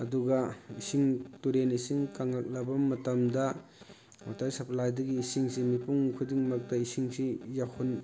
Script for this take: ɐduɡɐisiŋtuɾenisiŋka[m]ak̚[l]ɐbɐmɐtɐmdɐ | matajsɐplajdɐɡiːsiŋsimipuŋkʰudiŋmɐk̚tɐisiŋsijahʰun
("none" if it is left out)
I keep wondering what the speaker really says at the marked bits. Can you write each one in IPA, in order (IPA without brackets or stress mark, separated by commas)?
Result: ŋ, l